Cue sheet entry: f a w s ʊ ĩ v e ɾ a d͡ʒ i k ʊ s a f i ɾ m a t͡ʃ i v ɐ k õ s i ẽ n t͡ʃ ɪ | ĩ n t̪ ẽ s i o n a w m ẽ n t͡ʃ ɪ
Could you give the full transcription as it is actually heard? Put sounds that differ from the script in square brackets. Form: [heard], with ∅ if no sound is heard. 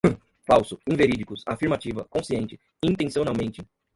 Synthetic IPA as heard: f a w s ʊ ĩ v e ɾ [i] d͡ʒ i k ʊ s a f i ɾ m a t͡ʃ i v ɐ k õ s i ẽ n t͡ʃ ɪ | ĩ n t̪ ẽ s i o n a w m ẽ n t͡ʃ ɪ